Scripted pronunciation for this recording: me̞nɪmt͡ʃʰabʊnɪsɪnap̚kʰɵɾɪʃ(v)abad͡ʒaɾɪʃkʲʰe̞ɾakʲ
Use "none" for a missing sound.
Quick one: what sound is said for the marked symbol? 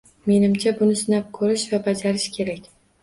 v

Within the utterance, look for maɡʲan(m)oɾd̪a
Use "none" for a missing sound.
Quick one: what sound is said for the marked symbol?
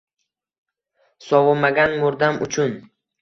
m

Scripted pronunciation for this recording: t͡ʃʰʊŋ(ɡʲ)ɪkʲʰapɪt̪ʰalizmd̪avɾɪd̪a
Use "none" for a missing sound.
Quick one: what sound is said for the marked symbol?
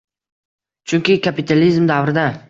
kʲ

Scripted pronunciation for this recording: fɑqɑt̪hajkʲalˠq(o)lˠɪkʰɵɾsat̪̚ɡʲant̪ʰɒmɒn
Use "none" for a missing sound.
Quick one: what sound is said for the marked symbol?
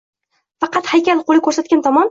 o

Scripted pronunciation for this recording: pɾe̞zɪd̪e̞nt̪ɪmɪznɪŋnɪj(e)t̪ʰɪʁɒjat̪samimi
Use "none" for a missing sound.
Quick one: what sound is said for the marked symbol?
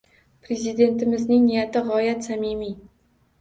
a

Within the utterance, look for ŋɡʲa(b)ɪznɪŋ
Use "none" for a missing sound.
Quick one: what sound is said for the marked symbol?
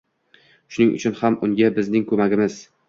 b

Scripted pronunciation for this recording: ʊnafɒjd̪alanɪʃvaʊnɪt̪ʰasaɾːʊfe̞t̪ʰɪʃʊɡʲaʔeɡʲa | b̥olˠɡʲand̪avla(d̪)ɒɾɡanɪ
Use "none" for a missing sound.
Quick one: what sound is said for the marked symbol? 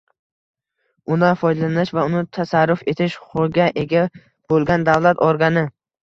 t̪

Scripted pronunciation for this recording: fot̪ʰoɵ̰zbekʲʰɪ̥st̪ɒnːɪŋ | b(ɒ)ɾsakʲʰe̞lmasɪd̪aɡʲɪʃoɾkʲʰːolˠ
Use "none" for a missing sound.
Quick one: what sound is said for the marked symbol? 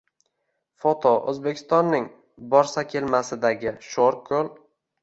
ɒ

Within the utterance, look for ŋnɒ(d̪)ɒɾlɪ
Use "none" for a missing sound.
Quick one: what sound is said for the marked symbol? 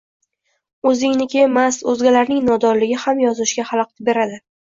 d̪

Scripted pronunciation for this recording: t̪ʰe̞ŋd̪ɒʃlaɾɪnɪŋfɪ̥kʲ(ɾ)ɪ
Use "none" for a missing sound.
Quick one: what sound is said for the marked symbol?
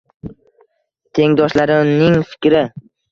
ɾ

